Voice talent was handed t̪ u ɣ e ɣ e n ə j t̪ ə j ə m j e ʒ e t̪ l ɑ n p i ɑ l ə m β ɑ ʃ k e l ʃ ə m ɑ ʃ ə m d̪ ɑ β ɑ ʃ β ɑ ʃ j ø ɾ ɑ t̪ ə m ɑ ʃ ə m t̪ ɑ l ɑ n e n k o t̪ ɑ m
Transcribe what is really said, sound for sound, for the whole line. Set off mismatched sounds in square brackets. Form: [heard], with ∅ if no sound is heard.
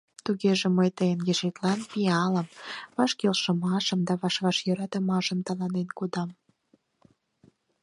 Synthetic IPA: t̪ u ɣ e [ʒ] e [m] ə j t̪ ə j ə [n] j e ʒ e t̪ l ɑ n p i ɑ l ə m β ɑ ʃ k e l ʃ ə m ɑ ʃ ə m d̪ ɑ β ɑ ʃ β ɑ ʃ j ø ɾ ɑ t̪ ə m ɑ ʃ ə m t̪ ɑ l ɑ n e n k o [d̪] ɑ m